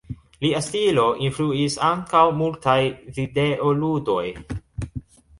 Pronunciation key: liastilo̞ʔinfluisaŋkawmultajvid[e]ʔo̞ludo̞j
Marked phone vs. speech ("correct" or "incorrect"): correct